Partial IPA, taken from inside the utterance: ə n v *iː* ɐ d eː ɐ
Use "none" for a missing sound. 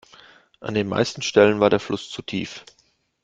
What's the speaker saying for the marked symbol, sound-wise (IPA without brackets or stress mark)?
aː